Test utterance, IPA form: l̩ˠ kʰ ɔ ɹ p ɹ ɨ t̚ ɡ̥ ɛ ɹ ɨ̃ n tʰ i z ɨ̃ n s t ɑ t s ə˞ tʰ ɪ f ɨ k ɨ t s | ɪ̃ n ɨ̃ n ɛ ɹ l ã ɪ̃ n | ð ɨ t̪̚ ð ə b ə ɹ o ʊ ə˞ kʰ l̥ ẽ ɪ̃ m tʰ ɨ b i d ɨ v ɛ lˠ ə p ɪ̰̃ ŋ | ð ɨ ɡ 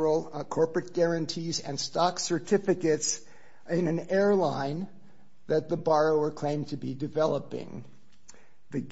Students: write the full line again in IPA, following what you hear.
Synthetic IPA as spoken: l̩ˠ kʰ ɔ ɹ p ɹ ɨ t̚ ɡ̥ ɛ ɹ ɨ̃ n tʰ i z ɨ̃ n s t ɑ k s ə˞ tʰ ɪ f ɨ k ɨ t s | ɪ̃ n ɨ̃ n ɛ ɹ l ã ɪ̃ n | ð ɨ t̪̚ ð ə b ɑ ɹ o ʊ ə˞ kʰ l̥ ẽ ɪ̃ m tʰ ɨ b i d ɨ v ɛ lˠ ə p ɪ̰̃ ŋ | ð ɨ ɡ